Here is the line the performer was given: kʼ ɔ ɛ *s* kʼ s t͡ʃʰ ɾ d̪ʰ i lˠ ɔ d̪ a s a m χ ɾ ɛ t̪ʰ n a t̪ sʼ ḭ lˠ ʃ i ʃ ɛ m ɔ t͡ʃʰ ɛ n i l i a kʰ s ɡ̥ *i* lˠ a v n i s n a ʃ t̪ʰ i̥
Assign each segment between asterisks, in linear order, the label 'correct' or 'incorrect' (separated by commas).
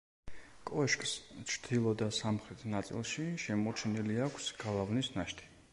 incorrect, incorrect